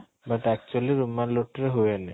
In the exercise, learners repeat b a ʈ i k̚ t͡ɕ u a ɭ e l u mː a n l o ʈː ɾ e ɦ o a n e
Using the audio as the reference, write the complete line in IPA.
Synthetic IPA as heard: b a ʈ ɛ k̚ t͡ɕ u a l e ɾ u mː a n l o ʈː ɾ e ɦ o e n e